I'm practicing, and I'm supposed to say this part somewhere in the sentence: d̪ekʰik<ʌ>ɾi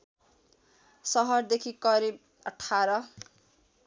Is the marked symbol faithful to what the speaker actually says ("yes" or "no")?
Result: yes